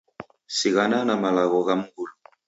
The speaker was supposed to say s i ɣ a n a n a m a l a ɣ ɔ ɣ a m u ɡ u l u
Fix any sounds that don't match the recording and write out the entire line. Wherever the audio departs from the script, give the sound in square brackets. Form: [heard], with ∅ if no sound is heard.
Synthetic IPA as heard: s i ɣ a n a n a m a l a ɣ ɔ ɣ a m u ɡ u l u